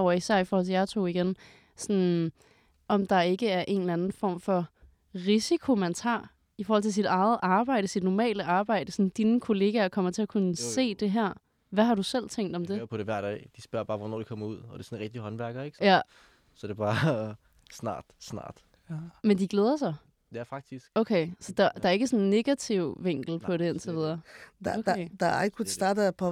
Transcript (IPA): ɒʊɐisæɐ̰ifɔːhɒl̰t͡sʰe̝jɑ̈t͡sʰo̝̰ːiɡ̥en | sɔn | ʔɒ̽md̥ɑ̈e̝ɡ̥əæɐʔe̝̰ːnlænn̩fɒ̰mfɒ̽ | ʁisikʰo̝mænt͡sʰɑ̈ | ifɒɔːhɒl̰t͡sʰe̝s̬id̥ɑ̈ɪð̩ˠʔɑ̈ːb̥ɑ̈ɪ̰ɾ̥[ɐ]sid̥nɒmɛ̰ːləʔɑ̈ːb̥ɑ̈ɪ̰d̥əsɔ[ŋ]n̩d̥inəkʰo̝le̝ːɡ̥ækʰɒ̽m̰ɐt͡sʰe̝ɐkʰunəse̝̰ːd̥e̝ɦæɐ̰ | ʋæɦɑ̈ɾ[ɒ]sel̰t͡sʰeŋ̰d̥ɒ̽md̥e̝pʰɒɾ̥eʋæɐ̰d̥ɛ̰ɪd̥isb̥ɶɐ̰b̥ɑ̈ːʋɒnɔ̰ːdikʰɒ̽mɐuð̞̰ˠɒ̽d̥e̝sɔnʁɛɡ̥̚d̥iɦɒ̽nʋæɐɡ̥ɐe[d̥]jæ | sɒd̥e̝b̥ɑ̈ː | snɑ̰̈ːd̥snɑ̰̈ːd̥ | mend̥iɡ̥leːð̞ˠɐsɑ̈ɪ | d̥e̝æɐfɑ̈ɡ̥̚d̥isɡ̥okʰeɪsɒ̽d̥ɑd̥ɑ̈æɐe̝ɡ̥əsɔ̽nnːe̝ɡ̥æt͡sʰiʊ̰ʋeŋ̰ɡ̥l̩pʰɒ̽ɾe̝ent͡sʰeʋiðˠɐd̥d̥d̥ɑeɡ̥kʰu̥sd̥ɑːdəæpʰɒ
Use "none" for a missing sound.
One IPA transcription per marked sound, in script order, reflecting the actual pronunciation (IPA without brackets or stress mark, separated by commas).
ə, n, u, ɡ̥